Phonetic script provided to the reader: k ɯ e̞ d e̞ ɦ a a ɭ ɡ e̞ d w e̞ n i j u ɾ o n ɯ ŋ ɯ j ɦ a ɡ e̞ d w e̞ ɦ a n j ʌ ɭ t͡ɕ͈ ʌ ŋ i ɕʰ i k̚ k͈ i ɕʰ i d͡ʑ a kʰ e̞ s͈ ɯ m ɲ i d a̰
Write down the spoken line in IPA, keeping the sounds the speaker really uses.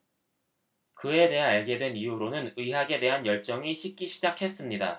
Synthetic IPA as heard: k ɯ e̞ d e̞ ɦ a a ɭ ɡ e̞ d w e̞ n i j u ɾ o n ɯ n ɯ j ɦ a ɡ e̞ d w e̞ ɦ a n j ʌ ɭ t͡ɕ͈ ʌ ŋ i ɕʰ i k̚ k͈ i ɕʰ i d͡ʑ a kʰ e̞ s͈ ɯ m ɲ i d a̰